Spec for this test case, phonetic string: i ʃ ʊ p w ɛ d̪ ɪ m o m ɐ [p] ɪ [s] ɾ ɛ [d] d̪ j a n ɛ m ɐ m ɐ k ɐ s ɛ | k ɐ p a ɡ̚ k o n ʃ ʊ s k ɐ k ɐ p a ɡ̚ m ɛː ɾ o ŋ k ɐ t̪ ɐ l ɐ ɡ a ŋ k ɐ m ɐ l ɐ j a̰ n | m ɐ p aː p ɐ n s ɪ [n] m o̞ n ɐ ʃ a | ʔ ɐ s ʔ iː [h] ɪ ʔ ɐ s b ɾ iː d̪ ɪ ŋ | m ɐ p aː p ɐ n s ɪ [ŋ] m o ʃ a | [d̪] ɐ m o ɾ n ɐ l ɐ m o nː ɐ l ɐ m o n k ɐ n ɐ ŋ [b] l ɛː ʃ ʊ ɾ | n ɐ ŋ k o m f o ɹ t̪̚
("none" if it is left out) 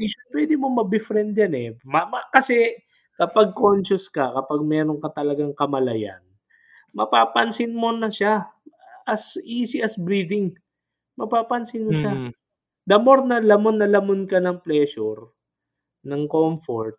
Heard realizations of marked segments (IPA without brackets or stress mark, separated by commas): b, f, n, n, s, n, d̪, p